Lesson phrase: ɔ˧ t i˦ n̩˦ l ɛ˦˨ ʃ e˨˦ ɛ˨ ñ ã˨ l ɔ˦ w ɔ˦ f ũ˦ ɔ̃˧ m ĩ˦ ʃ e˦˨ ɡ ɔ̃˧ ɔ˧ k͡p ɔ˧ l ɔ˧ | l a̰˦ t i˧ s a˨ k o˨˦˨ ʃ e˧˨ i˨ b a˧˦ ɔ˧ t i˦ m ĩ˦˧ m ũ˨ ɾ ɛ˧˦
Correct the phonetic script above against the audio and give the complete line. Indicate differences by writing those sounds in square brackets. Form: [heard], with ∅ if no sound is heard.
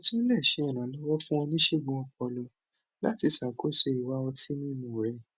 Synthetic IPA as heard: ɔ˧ t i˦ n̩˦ l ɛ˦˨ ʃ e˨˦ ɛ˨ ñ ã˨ l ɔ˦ w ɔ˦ f ũ˦ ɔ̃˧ [n] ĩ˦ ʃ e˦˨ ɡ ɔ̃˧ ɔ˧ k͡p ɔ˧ l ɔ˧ | l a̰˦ t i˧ s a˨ k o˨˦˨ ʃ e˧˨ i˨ [w] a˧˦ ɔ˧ t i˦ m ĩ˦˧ m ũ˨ ɾ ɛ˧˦